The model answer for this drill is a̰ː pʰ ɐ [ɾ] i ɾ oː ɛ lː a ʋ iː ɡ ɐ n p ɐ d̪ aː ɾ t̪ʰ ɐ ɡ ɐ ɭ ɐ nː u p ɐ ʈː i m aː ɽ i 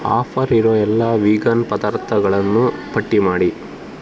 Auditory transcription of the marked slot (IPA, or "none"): ɾ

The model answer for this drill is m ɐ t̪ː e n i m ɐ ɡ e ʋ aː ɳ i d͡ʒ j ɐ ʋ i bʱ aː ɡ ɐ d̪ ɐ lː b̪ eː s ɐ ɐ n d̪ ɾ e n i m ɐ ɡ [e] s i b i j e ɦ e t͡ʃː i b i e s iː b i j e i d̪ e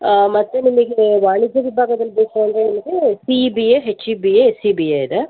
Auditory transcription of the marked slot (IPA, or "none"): e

